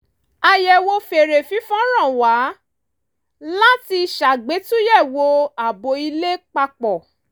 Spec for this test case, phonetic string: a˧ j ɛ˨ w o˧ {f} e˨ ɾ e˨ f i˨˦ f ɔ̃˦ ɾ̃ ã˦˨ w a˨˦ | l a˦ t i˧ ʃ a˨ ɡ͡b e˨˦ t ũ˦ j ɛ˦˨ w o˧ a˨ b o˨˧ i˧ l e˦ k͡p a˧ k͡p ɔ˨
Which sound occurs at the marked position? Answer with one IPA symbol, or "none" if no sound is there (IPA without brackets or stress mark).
f